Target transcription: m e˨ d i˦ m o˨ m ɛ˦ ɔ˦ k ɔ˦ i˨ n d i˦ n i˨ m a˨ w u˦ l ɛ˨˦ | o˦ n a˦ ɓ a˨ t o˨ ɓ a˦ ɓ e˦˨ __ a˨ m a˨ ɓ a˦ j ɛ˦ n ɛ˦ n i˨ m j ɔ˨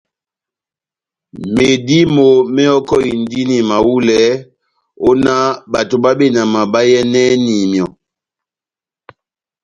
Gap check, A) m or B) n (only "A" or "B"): B